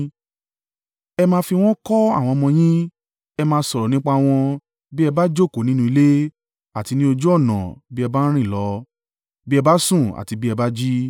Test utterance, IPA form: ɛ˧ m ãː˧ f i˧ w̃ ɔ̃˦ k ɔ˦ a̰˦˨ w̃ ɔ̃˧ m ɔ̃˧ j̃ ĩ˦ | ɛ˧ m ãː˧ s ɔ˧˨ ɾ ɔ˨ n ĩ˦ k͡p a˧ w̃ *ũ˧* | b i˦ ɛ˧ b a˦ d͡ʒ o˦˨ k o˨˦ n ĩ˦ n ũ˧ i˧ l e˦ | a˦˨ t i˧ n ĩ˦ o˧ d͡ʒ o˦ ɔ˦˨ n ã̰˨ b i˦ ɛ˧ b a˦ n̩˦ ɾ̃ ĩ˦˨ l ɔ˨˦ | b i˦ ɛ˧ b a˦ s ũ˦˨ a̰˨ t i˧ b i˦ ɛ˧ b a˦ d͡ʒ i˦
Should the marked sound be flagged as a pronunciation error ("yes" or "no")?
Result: yes